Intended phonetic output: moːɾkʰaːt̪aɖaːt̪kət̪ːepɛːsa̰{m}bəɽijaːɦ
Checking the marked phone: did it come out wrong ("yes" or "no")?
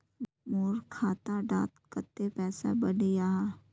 yes